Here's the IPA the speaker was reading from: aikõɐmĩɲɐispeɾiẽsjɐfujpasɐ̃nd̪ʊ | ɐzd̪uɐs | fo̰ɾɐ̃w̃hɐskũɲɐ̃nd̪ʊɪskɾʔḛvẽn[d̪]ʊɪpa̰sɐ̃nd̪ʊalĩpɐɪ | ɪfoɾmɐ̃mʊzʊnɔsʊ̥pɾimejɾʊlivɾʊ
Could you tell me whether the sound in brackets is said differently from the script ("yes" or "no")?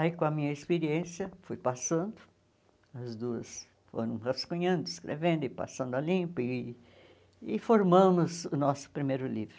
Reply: no